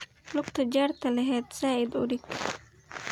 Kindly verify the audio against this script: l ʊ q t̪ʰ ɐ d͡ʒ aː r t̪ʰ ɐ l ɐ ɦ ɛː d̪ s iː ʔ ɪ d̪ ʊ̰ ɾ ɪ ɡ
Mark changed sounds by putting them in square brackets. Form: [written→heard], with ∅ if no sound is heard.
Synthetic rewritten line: l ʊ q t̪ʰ ɐ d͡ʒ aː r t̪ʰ ɐ l ɐ ɦ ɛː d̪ s [iː→aː] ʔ ɪ d̪ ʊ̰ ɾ ɪ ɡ